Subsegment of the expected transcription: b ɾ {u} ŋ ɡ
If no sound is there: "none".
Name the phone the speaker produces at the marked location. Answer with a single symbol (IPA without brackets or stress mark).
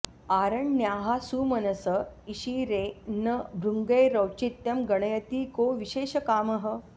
u